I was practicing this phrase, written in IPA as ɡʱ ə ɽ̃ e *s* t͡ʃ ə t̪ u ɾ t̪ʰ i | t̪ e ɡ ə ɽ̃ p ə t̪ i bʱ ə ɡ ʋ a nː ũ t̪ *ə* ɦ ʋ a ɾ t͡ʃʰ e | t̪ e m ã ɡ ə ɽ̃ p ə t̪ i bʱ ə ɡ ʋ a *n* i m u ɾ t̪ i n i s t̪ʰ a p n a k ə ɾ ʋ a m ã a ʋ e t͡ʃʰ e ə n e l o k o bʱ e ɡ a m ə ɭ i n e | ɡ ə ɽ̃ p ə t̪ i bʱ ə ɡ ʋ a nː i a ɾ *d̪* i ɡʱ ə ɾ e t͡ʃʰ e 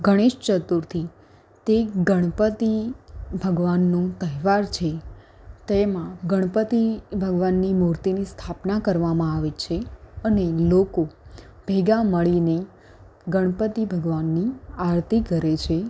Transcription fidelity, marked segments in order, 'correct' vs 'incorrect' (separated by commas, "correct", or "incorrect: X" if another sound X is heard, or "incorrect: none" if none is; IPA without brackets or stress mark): incorrect: ʃ, correct, incorrect: nː, incorrect: t̪